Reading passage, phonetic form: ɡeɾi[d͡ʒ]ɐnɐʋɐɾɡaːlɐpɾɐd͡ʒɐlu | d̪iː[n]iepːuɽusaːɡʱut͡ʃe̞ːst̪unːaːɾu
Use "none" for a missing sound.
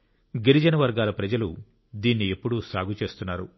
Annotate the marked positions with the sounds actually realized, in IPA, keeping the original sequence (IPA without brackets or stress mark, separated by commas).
d͡ʒ, nː